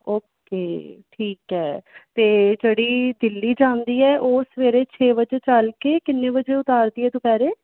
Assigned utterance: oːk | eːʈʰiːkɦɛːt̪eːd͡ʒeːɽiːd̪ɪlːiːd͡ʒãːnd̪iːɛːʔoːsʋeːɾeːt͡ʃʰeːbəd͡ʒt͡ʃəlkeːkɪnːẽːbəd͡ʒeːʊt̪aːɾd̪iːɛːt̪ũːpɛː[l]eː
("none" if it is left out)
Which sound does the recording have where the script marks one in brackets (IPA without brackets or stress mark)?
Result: ɾ